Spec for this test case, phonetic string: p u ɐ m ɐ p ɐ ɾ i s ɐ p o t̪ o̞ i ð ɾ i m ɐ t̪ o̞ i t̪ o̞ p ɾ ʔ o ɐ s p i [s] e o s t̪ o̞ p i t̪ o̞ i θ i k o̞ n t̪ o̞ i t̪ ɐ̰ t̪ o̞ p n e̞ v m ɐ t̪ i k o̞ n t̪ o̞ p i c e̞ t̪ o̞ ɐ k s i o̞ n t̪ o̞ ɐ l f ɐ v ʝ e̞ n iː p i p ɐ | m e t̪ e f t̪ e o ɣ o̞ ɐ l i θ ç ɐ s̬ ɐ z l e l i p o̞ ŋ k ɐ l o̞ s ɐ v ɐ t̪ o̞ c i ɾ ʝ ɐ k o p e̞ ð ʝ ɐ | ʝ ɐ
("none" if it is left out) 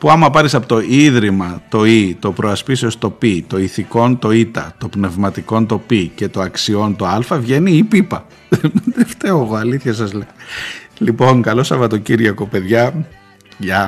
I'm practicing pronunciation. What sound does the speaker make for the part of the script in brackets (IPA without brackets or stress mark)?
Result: s